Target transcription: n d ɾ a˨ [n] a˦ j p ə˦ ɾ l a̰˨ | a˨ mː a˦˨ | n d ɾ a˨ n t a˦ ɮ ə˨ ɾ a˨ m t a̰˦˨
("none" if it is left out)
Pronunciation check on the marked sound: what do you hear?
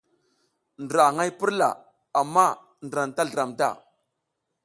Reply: ŋ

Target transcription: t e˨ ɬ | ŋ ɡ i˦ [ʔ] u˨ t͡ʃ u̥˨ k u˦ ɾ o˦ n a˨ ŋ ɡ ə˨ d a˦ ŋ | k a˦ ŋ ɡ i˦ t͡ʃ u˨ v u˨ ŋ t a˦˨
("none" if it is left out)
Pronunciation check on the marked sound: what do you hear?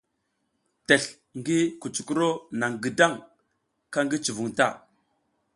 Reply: k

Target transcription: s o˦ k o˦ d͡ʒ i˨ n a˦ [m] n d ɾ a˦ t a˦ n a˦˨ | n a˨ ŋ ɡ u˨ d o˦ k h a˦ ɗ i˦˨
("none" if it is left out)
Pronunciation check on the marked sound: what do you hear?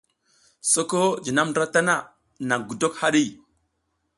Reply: m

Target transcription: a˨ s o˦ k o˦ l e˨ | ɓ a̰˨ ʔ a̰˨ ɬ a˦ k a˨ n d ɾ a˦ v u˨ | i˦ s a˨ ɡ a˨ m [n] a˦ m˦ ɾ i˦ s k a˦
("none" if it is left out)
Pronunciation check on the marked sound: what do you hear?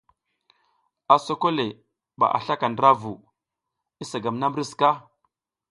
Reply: n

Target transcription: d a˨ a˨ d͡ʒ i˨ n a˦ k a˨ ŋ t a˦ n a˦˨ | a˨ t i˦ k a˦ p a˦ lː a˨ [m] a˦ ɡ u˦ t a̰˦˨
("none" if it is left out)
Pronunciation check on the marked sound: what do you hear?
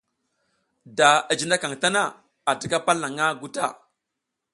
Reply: ŋ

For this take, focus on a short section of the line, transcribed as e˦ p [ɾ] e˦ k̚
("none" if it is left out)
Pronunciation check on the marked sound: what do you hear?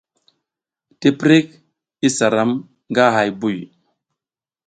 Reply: ɾ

